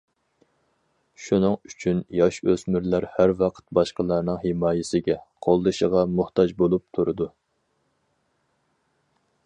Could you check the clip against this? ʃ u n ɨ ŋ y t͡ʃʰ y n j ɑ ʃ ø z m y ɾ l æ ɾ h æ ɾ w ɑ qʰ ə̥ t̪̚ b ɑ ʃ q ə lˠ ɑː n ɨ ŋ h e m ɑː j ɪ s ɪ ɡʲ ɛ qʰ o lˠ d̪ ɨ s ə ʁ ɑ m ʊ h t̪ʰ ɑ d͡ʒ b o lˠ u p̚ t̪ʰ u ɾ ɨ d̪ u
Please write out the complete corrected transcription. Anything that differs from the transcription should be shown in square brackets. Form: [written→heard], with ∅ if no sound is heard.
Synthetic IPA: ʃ u n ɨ ŋ y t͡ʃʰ y n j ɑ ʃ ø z m y ɾ l æ ɾ h æ ɾ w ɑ qʰ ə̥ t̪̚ b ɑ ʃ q ə lˠ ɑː n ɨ ŋ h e m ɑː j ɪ s ɪ ɡʲ ɛ qʰ o lˠ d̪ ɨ [s→ʃ] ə ʁ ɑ m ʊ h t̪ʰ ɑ d͡ʒ b o lˠ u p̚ t̪ʰ u ɾ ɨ d̪ u